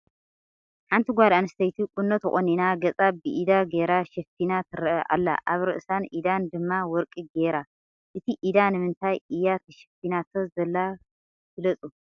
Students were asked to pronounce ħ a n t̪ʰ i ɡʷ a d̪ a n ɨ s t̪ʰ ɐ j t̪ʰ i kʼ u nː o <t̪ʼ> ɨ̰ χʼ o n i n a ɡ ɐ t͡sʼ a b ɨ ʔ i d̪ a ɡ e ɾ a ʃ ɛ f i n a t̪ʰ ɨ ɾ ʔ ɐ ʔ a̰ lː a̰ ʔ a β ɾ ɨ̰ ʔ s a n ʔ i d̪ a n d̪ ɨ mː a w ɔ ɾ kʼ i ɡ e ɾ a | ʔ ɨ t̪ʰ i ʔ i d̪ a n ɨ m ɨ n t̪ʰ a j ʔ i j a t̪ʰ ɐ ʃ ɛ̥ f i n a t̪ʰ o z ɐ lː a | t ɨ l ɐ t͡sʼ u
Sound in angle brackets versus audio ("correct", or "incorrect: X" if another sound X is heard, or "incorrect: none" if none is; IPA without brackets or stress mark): incorrect: t̪